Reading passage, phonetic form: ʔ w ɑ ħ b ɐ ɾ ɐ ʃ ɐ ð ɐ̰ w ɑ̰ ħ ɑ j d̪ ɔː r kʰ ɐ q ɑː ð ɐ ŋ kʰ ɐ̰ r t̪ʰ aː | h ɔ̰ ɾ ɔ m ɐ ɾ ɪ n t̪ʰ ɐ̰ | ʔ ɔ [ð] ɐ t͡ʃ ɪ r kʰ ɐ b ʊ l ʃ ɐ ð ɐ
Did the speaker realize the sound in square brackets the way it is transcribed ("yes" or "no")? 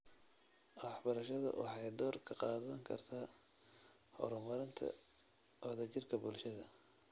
yes